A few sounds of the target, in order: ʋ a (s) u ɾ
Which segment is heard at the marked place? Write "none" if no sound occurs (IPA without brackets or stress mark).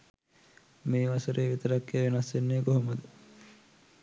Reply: s